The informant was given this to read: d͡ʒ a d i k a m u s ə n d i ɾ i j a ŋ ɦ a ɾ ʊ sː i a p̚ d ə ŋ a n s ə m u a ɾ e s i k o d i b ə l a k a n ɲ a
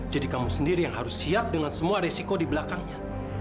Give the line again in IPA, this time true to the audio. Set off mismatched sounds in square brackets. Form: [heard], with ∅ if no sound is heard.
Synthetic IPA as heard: d͡ʒ a d i k a m u s ə n d i ɾ i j a ŋ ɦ a ɾ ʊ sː i a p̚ d ə ŋ a n s ə m u a ɾ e s i k o d i b ə l a k a [ŋ] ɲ a